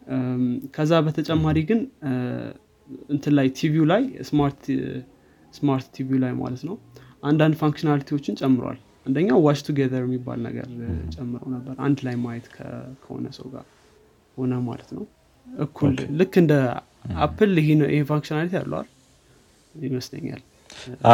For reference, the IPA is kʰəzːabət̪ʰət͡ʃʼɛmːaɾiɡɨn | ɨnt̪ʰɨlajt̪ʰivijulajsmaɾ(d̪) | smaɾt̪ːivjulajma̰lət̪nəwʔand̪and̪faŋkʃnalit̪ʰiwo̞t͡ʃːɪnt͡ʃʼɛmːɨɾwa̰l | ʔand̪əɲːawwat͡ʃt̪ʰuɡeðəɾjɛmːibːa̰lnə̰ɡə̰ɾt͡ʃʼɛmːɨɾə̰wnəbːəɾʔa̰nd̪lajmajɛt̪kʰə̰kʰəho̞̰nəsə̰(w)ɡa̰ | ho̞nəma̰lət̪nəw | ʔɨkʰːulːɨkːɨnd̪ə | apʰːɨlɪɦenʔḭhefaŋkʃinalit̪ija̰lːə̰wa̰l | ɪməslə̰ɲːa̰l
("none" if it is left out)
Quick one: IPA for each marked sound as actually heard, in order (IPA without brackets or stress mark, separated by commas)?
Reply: t̪, w